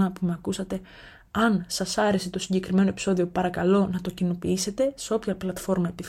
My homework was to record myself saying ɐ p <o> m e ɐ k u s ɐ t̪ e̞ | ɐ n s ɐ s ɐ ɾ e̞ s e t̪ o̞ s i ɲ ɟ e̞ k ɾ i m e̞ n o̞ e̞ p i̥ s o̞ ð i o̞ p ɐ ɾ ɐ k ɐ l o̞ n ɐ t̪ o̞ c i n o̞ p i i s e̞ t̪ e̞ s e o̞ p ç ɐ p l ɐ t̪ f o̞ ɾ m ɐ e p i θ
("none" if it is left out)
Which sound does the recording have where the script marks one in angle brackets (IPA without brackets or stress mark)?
u